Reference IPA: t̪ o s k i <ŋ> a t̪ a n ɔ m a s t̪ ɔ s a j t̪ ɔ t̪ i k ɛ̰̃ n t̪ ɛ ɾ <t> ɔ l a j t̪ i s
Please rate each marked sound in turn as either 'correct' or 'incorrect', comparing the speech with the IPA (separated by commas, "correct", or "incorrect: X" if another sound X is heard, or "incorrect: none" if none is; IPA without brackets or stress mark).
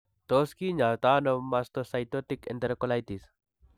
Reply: incorrect: ɲ, incorrect: k